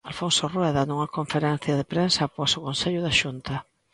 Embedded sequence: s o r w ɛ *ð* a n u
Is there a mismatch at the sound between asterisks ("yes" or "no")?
no